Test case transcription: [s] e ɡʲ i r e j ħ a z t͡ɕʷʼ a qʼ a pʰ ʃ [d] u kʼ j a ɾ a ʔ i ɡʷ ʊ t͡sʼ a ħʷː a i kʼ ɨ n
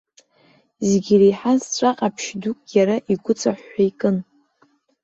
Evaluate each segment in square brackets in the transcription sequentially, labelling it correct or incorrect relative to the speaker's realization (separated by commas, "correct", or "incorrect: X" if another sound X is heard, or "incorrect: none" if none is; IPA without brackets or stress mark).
incorrect: z, correct